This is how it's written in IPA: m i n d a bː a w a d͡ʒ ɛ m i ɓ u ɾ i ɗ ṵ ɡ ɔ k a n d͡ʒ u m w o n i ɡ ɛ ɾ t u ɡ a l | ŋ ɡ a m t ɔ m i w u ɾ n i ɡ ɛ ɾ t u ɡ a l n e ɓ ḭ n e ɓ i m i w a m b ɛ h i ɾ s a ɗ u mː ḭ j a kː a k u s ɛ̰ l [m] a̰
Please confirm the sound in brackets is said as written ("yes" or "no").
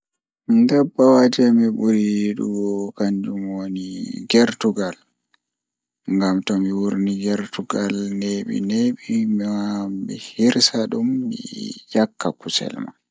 yes